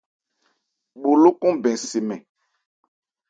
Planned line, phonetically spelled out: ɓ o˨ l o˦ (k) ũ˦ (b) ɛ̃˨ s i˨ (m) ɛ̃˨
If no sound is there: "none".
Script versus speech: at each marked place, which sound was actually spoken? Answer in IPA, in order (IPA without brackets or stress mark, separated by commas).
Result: k, b, m